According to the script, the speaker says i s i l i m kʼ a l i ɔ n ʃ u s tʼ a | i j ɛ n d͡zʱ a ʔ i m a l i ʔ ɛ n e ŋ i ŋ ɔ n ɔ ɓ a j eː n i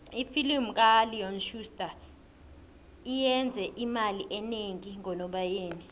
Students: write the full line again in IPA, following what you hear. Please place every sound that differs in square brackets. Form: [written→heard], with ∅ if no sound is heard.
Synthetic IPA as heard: i [s→f] i l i m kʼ a l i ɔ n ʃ u s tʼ a | i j ɛ n d͡zʱ [a→ɛ] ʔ i m a l i ʔ ɛ n e ŋ i ŋ ɔ n ɔ ɓ a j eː n i